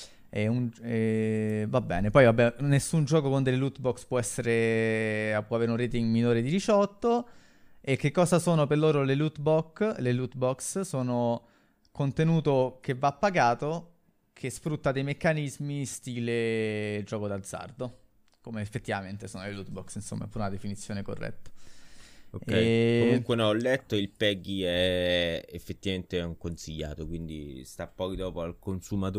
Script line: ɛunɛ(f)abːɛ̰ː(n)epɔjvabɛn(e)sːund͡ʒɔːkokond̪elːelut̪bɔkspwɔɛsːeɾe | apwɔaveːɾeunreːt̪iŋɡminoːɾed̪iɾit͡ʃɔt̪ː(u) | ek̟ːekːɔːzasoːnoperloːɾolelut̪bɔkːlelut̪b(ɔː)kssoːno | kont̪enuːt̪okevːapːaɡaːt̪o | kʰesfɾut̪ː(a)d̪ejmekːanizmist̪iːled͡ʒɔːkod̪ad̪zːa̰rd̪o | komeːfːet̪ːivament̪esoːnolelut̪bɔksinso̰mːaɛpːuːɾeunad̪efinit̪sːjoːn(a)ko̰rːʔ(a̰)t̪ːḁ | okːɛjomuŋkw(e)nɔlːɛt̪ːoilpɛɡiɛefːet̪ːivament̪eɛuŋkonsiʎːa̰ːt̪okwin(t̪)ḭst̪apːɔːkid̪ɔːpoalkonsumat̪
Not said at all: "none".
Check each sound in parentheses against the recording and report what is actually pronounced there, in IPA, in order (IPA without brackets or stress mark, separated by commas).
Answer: v, n, e, o, ɔ, a, e, ɛ̰, e, d̪